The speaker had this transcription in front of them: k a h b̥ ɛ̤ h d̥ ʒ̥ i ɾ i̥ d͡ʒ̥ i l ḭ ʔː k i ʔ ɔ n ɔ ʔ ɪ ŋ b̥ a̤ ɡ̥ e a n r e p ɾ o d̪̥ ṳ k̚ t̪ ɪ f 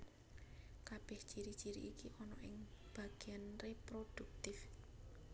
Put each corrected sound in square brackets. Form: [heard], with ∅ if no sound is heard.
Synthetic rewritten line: k a [∅] b̥ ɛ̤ h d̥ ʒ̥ i ɾ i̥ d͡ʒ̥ i [ɾ] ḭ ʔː k i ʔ ɔ n ɔ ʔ ɪ ŋ b̥ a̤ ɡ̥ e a n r e p ɾ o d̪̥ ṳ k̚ t̪ ɪ f